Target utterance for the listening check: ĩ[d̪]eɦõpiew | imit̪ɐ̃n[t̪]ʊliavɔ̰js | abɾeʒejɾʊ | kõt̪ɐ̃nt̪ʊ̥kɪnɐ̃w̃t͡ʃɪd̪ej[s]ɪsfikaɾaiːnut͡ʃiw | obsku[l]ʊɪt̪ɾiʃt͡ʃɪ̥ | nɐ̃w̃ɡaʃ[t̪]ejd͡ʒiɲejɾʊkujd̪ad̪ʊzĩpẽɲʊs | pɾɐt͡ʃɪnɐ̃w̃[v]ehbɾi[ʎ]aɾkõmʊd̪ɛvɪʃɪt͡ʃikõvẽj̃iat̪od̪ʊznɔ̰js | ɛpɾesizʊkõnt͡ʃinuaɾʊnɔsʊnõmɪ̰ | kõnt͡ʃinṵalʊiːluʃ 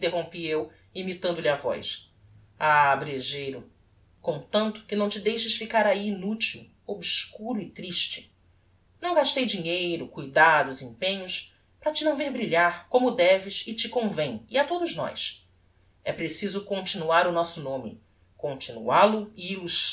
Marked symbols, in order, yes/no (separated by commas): no, no, no, no, yes, yes, yes